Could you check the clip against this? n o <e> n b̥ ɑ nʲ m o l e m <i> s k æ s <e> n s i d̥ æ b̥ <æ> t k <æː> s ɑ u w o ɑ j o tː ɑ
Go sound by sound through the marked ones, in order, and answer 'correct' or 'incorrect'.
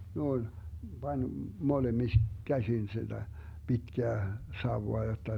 incorrect: i, correct, incorrect: i, incorrect: i, correct

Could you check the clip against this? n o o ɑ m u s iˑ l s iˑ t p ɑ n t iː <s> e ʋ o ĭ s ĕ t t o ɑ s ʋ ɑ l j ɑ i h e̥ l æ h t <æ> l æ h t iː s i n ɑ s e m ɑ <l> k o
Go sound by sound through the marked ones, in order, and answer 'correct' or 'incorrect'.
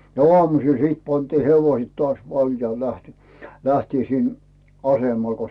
incorrect: h, incorrect: i, correct

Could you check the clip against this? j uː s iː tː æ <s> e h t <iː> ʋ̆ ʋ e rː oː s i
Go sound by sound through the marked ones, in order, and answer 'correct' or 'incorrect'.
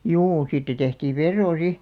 incorrect: t, correct

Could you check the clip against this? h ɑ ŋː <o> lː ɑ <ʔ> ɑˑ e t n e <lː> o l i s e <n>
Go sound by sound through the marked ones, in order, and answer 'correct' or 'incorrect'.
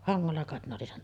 correct, incorrect: k, incorrect: none, correct

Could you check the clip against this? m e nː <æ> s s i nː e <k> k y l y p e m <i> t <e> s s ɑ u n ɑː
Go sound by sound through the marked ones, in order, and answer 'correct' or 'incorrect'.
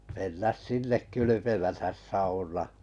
correct, correct, incorrect: æ, incorrect: æ

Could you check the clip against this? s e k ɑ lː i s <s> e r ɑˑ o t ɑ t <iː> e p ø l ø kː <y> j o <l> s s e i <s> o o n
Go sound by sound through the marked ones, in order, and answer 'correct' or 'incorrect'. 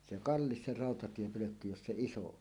correct, incorrect: i, correct, incorrect: none, correct

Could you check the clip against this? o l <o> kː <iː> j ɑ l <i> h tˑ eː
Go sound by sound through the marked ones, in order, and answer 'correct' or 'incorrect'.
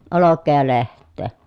correct, incorrect: eː, incorrect: e

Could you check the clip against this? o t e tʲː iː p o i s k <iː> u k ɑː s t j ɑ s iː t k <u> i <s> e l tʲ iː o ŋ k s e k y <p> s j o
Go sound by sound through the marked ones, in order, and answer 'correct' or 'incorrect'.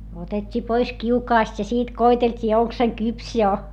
incorrect: i, incorrect: o, incorrect: t, correct

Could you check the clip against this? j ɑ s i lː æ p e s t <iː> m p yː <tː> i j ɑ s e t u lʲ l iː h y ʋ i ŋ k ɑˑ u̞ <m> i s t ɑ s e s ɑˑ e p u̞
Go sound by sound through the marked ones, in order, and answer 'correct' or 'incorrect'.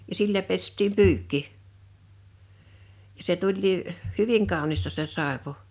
correct, incorrect: kː, incorrect: n

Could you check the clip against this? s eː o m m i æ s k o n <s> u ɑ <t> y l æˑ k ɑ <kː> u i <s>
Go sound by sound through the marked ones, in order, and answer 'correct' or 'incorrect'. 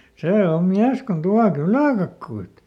incorrect: t, incorrect: k, correct, incorrect: t

